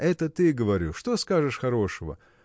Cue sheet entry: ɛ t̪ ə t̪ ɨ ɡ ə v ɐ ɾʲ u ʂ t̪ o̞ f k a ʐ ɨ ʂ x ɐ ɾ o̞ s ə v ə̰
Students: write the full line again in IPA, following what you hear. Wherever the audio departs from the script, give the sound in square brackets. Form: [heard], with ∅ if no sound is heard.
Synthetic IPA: ɛ t̪ ə t̪ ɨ ɡ ə v ɐ ɾʲ u ʂ t̪ o̞ [s] k a ʐ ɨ ʂ x ɐ ɾ o̞ [ʂ] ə v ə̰

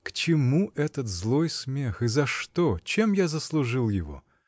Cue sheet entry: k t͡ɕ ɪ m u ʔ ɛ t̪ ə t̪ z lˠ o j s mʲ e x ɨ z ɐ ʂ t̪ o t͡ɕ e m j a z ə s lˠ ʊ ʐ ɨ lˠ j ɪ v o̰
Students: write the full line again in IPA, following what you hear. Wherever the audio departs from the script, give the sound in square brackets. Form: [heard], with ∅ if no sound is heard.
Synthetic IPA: k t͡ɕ ɪ m u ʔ ɛ t̪ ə t̪ z lˠ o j s mʲ e x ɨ z ɐ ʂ t̪ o t͡ɕ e m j a z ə s lˠ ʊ ʐ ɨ lˠ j ɪ v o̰

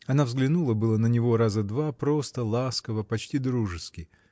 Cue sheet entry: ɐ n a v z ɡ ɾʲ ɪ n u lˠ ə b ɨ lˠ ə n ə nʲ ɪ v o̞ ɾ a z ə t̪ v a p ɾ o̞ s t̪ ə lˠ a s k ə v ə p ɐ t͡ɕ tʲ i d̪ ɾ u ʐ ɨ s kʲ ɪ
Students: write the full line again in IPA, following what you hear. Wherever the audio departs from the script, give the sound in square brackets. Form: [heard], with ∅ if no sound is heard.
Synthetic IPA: ɐ n a v z ɡ [lʲ] ɪ n u lˠ ə b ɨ lˠ ə n ə nʲ ɪ v o̞ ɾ a z ə [d̪] v a p ɾ o̞ s t̪ ə lˠ a s k ə v ə p ɐ t͡ɕ tʲ i d̪ ɾ u ʐ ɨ s kʲ ɪ

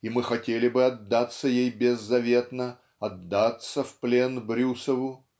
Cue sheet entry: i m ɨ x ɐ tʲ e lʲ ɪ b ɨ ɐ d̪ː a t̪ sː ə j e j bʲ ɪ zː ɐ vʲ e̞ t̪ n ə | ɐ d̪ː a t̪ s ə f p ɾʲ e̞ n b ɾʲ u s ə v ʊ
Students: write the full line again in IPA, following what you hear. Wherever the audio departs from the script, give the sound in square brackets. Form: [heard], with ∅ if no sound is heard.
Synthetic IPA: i m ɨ x ɐ tʲ e lʲ ɪ b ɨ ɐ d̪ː a t̪ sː ə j e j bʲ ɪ zː ɐ vʲ e̞ t̪ n ə | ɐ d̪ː a t̪ s ə f p [lʲ] e̞ n b ɾʲ u s ə v ʊ

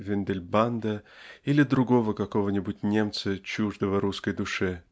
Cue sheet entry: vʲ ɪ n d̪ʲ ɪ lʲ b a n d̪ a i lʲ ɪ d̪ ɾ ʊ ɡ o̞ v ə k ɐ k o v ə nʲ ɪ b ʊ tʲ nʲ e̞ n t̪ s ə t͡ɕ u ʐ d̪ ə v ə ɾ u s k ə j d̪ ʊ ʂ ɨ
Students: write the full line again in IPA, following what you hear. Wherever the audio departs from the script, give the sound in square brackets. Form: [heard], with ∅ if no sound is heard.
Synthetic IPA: vʲ ɪ n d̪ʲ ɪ lʲ b a n d̪ [ə] i lʲ ɪ d̪ ɾ ʊ ɡ o̞ v ə k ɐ k o v ə nʲ ɪ b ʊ tʲ nʲ e̞ [m] t̪ s ə t͡ɕ u ʐ d̪ ə v ə ɾ u s k ə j d̪ ʊ ʂ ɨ

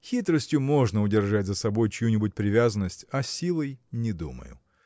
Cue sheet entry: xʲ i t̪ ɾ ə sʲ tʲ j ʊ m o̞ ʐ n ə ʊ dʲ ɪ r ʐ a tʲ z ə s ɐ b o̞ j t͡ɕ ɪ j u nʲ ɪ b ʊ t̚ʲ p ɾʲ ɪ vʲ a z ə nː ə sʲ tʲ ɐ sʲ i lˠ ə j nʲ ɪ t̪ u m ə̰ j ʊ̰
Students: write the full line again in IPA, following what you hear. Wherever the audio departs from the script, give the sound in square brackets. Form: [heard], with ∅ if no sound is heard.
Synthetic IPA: xʲ i t̪ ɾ ə sʲ tʲ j ʊ m o̞ ʐ n ə ʊ dʲ ɪ r ʐ a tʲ z ə s ɐ b o̞ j t͡ɕ ɪ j u nʲ ɪ b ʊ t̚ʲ p ɾʲ ɪ vʲ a z ə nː ə sʲ tʲ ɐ sʲ i lˠ ə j nʲ ɪ [d̪] u m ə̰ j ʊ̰

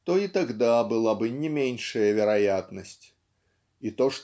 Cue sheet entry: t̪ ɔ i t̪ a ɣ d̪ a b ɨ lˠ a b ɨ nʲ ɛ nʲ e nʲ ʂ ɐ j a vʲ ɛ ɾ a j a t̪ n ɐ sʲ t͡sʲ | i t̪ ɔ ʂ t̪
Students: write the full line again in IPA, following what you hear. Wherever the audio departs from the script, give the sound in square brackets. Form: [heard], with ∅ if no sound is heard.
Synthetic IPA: t̪ ɔ i t̪ a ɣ d̪ a b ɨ lˠ a b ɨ nʲ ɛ [mʲ] e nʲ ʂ ɐ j [ɐ] vʲ ɛ ɾ a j a t̪ n ɐ sʲ t͡sʲ | i t̪ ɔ ʂ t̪

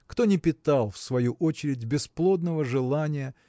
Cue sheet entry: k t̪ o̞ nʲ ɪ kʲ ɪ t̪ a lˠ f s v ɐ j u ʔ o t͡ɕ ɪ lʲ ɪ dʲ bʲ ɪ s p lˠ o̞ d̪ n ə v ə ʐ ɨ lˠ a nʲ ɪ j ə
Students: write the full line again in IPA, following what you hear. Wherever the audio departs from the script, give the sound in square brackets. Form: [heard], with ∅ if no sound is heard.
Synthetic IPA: k t̪ o̞ nʲ ɪ [pʲ] ɪ t̪ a lˠ f s v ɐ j u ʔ o t͡ɕ ɪ [ɾʲ] ɪ dʲ bʲ ɪ s p lˠ o̞ d̪ n ə v ə ʐ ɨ lˠ a nʲ ɪ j ə

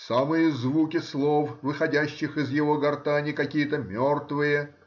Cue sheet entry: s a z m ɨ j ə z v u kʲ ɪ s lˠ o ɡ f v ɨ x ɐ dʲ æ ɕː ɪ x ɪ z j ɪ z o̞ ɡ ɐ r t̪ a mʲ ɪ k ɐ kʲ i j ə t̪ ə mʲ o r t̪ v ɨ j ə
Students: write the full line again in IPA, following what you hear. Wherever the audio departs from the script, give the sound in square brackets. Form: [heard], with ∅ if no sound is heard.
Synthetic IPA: s a [∅] m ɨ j ə z v u kʲ ɪ s lˠ o [∅] f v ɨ x ɐ dʲ æ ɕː ɪ x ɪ z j ɪ [v] o̞ ɡ ɐ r t̪ a [nʲ] ɪ k ɐ kʲ i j ə t̪ ə mʲ o r t̪ v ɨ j ə

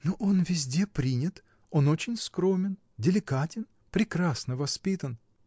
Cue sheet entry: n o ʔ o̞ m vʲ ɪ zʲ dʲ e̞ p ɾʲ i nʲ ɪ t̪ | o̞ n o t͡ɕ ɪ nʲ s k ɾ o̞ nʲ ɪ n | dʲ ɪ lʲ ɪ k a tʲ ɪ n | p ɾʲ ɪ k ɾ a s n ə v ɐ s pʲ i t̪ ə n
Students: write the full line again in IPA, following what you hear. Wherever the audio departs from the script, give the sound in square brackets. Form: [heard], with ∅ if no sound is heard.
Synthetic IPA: n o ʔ o̞ [n] vʲ ɪ zʲ dʲ e̞ p ɾʲ i nʲ ɪ t̪ | o̞ n o t͡ɕ ɪ nʲ s k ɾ o̞ [mʲ] ɪ n | dʲ ɪ lʲ ɪ k a tʲ ɪ n | p ɾʲ ɪ k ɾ a s n ə v ɐ s pʲ i t̪ ə n

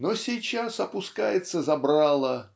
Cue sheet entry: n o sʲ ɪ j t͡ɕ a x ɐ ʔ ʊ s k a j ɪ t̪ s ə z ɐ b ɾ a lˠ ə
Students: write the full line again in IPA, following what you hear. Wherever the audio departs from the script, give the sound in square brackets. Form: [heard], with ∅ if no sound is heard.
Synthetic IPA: n o sʲ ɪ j t͡ɕ a [s] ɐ [p] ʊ s k a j ɪ t̪ s ə z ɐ b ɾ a lˠ ə

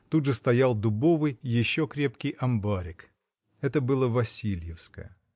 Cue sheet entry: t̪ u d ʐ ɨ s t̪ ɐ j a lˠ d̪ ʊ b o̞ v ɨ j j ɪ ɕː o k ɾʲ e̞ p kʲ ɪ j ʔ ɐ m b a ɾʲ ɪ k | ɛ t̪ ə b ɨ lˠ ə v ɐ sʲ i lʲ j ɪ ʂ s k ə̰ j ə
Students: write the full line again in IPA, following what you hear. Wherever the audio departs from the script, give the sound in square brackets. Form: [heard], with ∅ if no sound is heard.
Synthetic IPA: t̪ u d ʐ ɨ s t̪ ɐ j a lˠ d̪ ʊ b o̞ v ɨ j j ɪ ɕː o k ɾʲ e̞ p kʲ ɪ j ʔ ɐ m b a ɾʲ ɪ k | ɛ t̪ ə b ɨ lˠ ə v ɐ sʲ i lʲ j ɪ [f] s k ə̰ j ə

